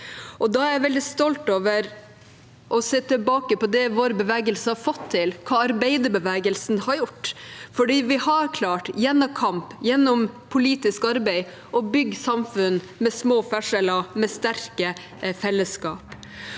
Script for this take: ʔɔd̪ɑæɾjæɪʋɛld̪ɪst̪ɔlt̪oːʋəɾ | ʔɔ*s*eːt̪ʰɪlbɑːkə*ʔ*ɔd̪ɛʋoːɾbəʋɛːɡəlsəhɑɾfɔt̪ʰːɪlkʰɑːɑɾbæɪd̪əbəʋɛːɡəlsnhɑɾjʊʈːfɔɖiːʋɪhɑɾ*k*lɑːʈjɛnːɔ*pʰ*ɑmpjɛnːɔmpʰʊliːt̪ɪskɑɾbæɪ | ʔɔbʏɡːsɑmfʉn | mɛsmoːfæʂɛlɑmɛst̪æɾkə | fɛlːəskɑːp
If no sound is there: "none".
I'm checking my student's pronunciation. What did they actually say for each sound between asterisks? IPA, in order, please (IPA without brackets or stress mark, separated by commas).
s, p, kʰ, kʰ